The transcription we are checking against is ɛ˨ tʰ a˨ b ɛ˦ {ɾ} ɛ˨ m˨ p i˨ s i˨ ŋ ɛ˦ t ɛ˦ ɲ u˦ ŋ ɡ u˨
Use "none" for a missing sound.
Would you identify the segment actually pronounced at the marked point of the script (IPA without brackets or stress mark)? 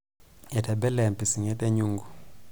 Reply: l